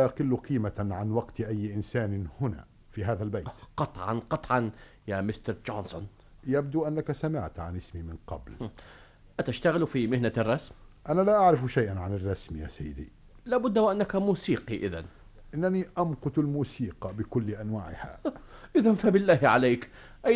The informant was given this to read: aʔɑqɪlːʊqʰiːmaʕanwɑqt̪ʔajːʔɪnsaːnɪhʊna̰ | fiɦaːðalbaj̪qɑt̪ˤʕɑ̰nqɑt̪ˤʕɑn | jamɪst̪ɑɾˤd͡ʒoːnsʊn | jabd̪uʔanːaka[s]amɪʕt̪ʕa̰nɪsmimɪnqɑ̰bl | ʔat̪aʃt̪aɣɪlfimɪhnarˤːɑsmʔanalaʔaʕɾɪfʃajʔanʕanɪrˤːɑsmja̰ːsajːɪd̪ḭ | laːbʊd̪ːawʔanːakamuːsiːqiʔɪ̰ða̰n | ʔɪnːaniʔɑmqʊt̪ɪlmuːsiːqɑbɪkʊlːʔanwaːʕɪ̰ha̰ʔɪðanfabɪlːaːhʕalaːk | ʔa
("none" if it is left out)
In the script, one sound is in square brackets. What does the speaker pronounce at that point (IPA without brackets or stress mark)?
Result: s